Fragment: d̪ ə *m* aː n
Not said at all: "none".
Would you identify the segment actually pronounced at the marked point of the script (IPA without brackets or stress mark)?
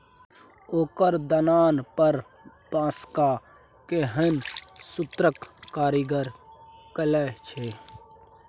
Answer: n